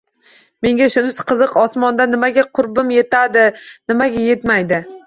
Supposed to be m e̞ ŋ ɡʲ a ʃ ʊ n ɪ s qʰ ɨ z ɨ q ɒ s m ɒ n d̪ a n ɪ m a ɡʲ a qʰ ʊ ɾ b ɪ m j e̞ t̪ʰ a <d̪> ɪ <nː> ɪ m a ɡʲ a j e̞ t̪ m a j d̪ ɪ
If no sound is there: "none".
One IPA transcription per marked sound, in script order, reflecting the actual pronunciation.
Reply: d̪, n

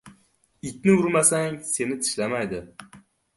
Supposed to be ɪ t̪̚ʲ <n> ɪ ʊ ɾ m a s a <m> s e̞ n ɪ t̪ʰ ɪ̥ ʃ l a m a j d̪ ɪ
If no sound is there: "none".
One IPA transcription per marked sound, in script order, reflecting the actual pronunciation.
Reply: n, ŋ

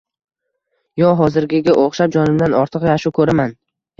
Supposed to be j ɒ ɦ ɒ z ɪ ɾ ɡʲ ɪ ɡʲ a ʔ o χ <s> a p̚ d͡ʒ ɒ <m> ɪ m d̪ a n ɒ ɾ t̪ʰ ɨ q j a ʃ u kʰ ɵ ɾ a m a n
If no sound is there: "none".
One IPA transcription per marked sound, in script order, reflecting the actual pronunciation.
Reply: ʃ, n

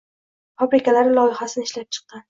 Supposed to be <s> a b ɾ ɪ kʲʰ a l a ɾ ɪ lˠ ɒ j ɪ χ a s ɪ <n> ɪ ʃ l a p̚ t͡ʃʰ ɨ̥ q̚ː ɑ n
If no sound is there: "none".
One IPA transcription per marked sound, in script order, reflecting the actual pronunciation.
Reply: f, n

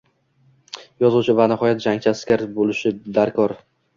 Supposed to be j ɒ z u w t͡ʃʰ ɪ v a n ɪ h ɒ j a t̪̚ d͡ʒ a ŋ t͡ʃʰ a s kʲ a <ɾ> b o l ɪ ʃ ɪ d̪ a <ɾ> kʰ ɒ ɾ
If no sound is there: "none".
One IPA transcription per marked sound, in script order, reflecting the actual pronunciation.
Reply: ɾ, ɾ

